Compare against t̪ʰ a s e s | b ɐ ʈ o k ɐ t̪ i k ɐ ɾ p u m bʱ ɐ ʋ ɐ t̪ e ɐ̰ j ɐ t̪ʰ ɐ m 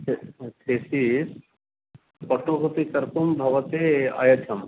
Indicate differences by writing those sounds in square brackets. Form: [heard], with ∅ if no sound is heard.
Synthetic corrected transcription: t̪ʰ [e] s [i] s | [p] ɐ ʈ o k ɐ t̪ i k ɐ ɾ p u m bʱ ɐ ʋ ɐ t̪ e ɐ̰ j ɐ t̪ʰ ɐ m